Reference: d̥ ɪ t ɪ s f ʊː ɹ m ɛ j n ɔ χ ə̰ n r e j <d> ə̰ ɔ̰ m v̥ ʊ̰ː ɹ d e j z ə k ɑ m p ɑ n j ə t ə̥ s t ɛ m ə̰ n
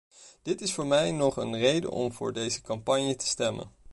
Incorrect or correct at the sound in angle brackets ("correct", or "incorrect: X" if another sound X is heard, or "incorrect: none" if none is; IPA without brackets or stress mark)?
correct